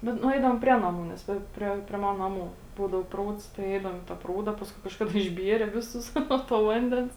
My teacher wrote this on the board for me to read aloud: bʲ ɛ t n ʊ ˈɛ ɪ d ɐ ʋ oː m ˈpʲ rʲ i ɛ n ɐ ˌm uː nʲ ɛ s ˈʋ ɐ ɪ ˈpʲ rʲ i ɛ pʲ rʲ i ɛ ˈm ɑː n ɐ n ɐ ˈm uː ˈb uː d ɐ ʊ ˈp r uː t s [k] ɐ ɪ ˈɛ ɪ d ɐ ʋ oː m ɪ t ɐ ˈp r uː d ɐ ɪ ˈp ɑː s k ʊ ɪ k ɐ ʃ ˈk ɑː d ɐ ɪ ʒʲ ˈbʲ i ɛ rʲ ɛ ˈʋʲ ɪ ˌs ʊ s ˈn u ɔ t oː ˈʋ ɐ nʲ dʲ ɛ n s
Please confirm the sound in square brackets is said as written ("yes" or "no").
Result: no